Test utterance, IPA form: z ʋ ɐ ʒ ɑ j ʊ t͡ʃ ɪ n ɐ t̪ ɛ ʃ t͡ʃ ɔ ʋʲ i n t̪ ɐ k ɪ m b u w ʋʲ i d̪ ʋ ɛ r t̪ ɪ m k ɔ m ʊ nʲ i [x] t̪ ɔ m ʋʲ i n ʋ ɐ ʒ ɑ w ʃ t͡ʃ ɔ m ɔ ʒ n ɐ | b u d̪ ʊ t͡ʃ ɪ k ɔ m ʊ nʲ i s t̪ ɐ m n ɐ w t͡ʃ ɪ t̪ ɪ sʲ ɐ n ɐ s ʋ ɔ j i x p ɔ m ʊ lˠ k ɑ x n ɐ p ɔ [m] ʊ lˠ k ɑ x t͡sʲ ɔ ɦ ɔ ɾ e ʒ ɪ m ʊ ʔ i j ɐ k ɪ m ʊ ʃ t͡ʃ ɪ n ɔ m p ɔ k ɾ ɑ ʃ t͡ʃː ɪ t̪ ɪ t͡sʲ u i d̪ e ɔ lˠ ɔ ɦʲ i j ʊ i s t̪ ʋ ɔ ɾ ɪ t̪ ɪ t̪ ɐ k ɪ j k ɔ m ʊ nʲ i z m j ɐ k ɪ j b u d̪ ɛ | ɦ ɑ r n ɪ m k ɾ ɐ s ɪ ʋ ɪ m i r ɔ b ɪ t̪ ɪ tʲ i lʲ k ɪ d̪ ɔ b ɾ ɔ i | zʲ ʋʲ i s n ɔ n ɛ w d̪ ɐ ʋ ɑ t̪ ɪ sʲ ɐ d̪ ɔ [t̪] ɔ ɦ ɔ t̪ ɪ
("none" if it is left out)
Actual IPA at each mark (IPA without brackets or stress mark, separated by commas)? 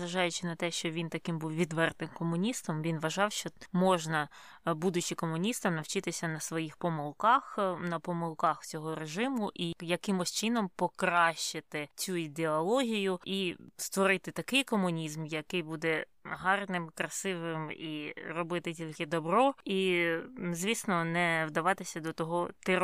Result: s, m, t̪